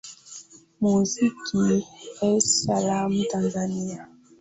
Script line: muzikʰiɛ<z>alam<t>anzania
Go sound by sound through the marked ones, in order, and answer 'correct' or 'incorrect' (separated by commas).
incorrect, correct